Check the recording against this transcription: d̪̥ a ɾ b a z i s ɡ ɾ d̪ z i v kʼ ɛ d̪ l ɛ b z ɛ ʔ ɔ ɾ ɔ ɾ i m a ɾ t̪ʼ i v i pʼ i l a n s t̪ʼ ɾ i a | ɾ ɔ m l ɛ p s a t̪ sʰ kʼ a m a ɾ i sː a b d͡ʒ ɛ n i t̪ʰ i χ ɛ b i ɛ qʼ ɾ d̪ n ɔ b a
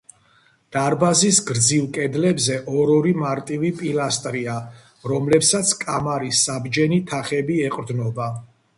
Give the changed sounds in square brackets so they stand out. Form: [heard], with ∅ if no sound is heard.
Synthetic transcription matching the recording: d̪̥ a ɾ b a z i s ɡ ɾ d̪ z i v kʼ ɛ d̪ l ɛ b z ɛ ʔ ɔ ɾ ɔ ɾ i m a ɾ t̪ʼ i v i pʼ i l a [∅] s t̪ʼ ɾ i a | ɾ ɔ m l ɛ p s a t̪ sʰ kʼ a m a ɾ i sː a b d͡ʒ ɛ n i t̪ʰ [a] χ ɛ b i ɛ qʼ ɾ d̪ n ɔ b a